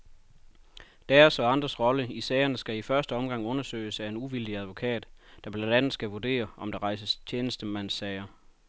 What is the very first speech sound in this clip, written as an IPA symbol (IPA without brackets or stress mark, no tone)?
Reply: d̥